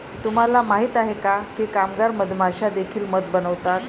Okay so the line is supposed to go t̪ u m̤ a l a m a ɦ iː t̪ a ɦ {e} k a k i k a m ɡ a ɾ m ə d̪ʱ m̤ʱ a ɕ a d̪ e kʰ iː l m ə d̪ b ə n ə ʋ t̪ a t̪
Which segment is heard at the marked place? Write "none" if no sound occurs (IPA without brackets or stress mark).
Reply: e